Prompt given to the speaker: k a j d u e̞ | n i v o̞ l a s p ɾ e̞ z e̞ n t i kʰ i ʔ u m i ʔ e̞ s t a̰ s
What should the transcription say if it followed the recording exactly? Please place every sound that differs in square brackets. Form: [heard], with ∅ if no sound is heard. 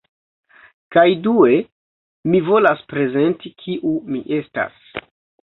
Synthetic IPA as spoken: k a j d u e̞ | [m] i v o̞ l a s p ɾ e̞ z e̞ n t i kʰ i ʔ u m i ʔ e̞ s t a̰ s